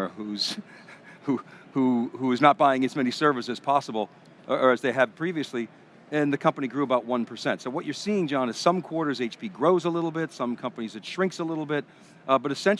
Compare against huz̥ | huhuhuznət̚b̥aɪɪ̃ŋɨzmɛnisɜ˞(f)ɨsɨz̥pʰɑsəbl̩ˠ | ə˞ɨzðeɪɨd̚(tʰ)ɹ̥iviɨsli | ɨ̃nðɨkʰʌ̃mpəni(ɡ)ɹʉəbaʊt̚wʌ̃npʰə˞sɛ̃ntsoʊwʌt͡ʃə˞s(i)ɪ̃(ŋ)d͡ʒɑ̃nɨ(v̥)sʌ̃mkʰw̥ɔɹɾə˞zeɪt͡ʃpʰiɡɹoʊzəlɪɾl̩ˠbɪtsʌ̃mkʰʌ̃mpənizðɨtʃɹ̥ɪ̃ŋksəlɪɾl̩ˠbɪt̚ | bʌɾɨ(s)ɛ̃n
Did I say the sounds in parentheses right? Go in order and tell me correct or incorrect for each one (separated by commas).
incorrect, incorrect, correct, correct, correct, incorrect, correct